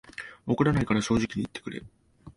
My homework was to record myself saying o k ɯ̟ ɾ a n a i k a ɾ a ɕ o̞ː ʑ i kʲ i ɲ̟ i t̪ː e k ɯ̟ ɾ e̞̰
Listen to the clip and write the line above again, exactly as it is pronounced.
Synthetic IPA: o k ɯ̟ ɾ a n a i k a ɾ a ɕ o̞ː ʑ i kʲ i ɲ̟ i t̪ː e k ɯ̟ ɾ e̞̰

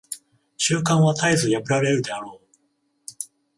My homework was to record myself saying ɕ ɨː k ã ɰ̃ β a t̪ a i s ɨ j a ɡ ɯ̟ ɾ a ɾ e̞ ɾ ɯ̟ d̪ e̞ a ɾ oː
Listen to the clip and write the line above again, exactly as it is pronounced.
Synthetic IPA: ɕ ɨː k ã ɰ̃ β a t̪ a i z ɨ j a b ɯ̟ ɾ a ɾ e̞ ɾ ɯ̟ d̪ e̞ a ɾ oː

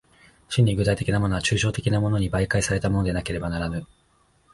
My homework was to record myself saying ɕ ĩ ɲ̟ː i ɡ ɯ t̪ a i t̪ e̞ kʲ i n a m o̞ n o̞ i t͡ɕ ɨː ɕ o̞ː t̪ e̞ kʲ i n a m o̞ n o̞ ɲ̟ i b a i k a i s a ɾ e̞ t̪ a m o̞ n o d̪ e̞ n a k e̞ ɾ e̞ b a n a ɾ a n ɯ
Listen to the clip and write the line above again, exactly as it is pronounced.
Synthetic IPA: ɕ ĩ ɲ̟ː i ɡ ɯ t̪ a i t̪ e̞ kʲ i n a m o̞ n o̞ a t͡ɕ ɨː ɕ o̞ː t̪ e̞ kʲ i n a m o̞ n o̞ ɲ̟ i b a i k a i s a ɾ e̞ t̪ a m o̞ n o d̪ e̞ n a k e̞ ɾ e̞ b a n a ɾ a n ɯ

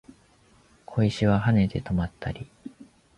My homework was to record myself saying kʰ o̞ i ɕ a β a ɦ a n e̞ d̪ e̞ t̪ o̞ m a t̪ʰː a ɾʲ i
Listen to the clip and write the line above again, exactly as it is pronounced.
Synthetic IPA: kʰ o̞ i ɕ i β a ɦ a n e̞ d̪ e̞ t̪ o̞ m a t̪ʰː a ɾʲ i

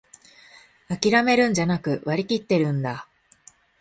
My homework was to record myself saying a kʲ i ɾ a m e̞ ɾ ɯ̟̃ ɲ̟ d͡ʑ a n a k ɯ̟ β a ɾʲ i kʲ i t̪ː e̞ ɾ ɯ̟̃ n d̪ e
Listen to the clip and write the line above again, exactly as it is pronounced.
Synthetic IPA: a kʲ i ɾ a m e̞ ɾ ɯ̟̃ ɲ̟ d͡ʑ a n a k ɯ̟ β a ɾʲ i kʲ i t̪ː e̞ ɾ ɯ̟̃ n d̪ a

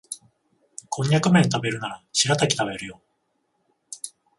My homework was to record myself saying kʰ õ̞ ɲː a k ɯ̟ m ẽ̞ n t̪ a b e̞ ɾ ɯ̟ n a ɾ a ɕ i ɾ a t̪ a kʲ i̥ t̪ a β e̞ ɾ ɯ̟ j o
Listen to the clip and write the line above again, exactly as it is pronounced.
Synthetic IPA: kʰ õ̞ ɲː a k ɯ̟ m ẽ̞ n t̪ a b e̞ ɾ ɯ̟ n a ɾ a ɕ i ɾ a t̪ a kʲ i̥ t̪ a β e̞ ɾ ɯ̟ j o

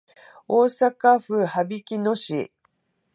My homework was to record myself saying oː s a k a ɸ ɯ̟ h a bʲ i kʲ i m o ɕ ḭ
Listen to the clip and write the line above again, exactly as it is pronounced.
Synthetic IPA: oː s a k a ɸ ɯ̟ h a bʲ i kʲ i n o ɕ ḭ

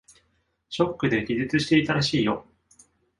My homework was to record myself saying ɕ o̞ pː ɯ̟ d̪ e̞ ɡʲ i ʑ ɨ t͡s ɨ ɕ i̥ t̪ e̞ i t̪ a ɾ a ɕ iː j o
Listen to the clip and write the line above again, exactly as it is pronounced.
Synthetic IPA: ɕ o̞ kː ɯ̟ d̪ e̞ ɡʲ i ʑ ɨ t͡s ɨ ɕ i̥ t̪ e̞ i t̪ a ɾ a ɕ iː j o

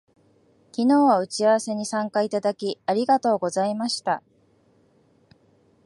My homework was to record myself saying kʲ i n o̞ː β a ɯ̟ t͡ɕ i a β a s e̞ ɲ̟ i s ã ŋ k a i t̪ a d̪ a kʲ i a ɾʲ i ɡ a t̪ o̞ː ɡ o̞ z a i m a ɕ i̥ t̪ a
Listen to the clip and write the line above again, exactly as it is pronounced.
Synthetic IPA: kʲ i n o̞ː β a ɯ̟ t͡ɕ i a β a s e̞ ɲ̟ i s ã ŋ k a i t̪ a d̪ a kʲ i a ɾʲ i ɡ a t̪ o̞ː ɡ o̞ z a i m a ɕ i̥ t̪ a

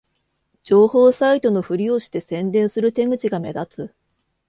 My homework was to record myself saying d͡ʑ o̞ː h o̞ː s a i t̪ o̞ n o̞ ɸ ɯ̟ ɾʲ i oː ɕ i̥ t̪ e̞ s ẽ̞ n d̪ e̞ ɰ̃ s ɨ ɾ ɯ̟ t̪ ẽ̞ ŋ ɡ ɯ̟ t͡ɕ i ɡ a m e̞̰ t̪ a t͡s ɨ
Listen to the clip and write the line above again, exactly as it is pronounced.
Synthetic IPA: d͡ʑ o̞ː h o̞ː s a i t̪ o̞ n o̞ ɸ ɯ̟ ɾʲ i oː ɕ i̥ t̪ e̞ s ẽ̞ n d̪ ẽ̞ ɰ̃ s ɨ ɾ ɯ̟ t̪ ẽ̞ ŋ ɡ ɯ̟ t͡ɕ i ɡ a m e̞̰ d̪ a t͡s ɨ

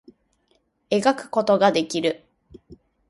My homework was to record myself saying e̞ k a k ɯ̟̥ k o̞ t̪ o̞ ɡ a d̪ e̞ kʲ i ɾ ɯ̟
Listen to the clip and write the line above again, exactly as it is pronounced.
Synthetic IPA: e̞ ɡ a k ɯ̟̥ k o̞ t̪ o̞ ɡ a d̪ e̞ kʲ i ɾ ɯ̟

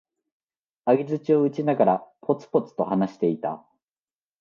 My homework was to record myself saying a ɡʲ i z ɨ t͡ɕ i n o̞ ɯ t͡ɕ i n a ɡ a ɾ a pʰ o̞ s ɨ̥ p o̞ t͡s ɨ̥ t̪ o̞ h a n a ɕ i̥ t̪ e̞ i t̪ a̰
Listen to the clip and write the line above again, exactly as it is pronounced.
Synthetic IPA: a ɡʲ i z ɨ t͡ɕ i o̞ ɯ t͡ɕ i n a ɡ a ɾ a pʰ o̞ t͡s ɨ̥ p o̞ t͡s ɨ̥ t̪ o̞ h a n a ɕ i̥ t̪ e̞ i t̪ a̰

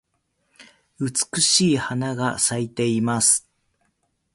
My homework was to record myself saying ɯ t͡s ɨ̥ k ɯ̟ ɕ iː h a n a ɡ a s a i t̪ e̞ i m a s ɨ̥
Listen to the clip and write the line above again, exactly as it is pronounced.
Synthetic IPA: ɯ t͡s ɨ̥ k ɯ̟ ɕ iː h a n a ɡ a s a i t̪ e̞ i m a s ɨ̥

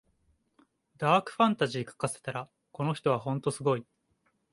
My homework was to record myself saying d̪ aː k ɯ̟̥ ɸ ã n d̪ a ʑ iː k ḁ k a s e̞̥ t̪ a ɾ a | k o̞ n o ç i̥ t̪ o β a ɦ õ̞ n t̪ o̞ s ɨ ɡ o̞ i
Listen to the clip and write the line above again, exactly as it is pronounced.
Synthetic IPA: d̪ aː k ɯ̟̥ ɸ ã n t̪ a ʑ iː k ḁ k a s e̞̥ t̪ a ɾ a | k o̞ n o ç i̥ t̪ o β a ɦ õ̞ n t̪ o̞ s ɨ ɡ o̞ i

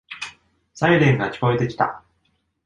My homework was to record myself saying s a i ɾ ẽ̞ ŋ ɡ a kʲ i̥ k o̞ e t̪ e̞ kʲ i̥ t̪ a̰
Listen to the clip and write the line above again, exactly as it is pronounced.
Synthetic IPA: s a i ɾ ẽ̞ ŋ ɡ a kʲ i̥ k o̞ e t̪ e̞ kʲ i̥ t̪ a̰

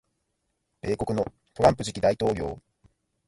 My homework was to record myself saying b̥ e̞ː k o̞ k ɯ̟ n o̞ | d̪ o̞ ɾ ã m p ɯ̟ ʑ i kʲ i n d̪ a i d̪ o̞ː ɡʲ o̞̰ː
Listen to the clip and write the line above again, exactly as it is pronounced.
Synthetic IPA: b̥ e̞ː k o̞ k ɯ̟ n o̞ | t̪ o̞ ɾ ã m p ɯ̟ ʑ i kʲ i d̪ a i t̪ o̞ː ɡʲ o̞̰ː

